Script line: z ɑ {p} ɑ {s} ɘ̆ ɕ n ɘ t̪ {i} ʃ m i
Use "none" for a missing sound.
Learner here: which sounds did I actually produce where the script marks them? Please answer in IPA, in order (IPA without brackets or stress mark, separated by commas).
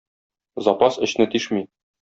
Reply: p, s, i